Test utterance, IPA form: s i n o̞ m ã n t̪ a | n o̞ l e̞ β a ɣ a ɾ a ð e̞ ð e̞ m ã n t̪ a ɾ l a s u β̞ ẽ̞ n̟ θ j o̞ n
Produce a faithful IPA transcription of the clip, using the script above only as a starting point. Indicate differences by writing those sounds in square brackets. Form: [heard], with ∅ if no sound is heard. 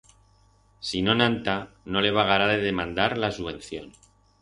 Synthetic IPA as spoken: s i n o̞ [n] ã n t̪ a | n o̞ l e̞ β a ɣ a ɾ a ð e̞ ð e̞ m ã n [d̪] a ɾ l a s u β̞ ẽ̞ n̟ θ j o̞ n